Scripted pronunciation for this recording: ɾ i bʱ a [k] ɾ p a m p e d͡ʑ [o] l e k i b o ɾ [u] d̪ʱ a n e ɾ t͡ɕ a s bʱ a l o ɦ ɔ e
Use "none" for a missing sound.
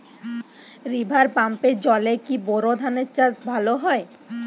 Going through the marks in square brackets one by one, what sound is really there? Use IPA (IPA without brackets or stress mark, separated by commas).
none, ɔ, o